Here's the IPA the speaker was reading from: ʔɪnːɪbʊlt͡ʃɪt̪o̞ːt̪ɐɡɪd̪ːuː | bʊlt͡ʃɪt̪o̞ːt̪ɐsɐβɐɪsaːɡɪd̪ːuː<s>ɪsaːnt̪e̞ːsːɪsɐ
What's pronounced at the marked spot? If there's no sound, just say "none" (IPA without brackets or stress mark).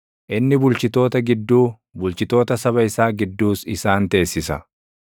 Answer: s